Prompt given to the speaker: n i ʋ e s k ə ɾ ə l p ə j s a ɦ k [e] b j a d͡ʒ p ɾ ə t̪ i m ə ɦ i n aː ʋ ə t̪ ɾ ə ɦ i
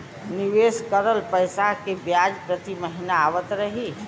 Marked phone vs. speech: correct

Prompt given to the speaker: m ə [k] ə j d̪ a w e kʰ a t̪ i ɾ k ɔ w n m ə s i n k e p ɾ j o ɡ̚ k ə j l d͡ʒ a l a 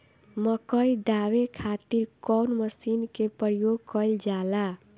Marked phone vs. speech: correct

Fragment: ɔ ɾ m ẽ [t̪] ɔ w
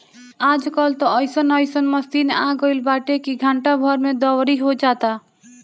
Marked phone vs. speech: incorrect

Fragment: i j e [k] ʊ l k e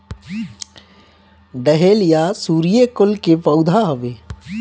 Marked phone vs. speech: correct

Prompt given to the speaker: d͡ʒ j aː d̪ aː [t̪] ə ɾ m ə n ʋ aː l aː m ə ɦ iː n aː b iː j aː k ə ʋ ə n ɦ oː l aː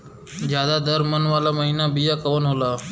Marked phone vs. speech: incorrect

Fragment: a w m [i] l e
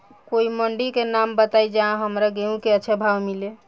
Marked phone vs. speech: correct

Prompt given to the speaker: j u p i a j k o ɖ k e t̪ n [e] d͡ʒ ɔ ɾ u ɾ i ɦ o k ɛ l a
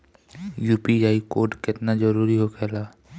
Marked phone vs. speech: incorrect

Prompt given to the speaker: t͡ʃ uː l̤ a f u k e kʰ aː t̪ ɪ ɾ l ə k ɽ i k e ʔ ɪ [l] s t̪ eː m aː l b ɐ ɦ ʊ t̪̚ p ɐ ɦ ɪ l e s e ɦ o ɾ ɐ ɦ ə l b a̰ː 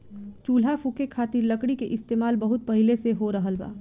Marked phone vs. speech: incorrect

